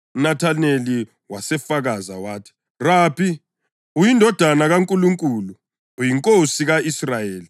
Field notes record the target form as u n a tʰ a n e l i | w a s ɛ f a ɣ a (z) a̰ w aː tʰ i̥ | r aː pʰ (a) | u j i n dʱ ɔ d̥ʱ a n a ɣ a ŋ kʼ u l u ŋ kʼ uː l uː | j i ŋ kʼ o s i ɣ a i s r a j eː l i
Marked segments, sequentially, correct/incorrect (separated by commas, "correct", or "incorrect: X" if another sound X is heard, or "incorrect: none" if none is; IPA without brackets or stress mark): correct, incorrect: i